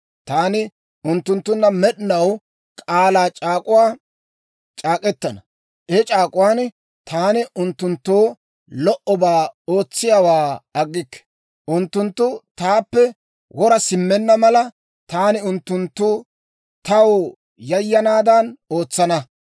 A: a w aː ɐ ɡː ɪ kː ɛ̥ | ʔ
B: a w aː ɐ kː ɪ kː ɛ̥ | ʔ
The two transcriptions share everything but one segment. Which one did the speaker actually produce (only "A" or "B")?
A